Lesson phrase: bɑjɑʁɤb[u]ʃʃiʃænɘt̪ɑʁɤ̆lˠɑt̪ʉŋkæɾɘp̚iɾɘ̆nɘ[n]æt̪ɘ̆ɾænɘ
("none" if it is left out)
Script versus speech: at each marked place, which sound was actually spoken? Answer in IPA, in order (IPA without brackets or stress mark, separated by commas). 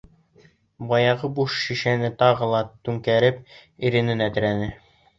u, n